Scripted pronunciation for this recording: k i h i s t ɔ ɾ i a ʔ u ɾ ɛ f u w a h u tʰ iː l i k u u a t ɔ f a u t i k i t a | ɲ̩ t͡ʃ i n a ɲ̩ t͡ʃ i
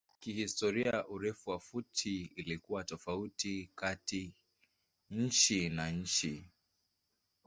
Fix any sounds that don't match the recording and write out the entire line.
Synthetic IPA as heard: k i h i s t ɔ ɾ i a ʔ u ɾ ɛ f u w a f u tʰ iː l i k u w a t ɔ f a u t i k a t i | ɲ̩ t͡ʃ i n a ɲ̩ t͡ʃ i